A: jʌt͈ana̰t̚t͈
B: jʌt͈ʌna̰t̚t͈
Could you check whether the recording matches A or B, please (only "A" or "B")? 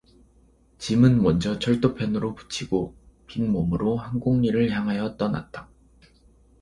B